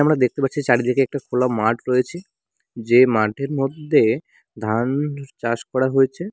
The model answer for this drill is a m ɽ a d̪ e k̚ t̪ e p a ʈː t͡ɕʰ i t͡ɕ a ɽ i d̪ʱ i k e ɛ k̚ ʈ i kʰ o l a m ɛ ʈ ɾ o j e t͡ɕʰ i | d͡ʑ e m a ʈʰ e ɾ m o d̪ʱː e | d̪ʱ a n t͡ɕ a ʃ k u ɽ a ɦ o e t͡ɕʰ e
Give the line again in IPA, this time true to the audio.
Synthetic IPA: a m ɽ a d̪ e k̚ t̪ e p a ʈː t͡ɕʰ i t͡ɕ a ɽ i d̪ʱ i k e ɛ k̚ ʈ a kʰ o l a m a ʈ ɾ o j e t͡ɕʰ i | d͡ʑ e m a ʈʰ e ɾ m o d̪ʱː e | d̪ʱ a n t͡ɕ a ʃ k ɔ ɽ a ɦ o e t͡ɕʰ e